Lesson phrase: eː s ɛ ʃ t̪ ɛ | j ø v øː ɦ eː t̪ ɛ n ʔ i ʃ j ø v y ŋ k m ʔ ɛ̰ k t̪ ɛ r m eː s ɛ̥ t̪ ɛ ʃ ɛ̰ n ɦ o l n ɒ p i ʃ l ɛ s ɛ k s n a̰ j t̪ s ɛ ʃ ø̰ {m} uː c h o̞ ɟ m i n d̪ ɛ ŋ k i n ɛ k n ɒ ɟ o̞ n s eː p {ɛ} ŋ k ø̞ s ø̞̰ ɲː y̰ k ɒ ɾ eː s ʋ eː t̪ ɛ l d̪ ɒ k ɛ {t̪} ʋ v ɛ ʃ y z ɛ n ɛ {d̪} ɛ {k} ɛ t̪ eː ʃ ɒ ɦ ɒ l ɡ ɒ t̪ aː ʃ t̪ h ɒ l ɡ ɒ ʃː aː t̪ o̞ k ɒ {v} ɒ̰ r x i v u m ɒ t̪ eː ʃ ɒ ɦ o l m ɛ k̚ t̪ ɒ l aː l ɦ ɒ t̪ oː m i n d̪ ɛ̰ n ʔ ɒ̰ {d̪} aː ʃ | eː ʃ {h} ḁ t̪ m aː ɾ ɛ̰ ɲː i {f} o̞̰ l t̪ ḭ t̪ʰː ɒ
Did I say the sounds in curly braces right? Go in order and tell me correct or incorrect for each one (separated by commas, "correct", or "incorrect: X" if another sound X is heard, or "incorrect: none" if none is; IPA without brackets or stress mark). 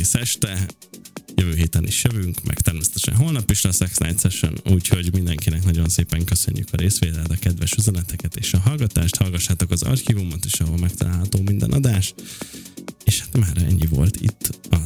incorrect: n, correct, incorrect: d̪, incorrect: t̪, correct, incorrect: z, correct, correct, incorrect: v